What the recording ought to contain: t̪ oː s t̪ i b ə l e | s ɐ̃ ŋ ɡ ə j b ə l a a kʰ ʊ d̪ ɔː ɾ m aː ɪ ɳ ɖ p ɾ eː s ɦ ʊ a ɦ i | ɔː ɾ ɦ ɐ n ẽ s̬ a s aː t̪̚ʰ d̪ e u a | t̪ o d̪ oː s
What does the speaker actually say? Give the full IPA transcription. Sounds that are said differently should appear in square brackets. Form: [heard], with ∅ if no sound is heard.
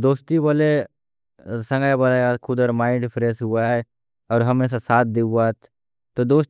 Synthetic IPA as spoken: [d̪] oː s t̪ i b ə l e | s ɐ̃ ŋ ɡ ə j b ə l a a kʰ ʊ d̪ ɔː ɾ m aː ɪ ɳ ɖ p ɾ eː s ɦ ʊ a ɦ [ɛ] | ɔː ɾ ɦ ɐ [m] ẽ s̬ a s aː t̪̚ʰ d̪ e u a | t̪ o d̪ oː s